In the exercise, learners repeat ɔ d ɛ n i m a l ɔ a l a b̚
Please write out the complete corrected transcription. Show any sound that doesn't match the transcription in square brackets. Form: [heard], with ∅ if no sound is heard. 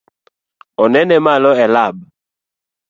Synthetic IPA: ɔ [n] ɛ n [ɛ] m a l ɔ [ɛ] l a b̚